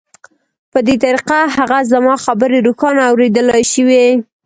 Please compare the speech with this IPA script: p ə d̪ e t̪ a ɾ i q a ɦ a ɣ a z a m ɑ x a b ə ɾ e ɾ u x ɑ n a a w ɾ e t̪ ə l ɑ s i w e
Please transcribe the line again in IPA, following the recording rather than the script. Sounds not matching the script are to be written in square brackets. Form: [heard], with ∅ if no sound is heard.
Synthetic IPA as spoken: p ə d̪ e t̪ a ɾ i q a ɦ a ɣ a z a m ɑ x a b ə ɾ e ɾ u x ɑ n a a w ɾ e [d̪] ə l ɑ [ʃ] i w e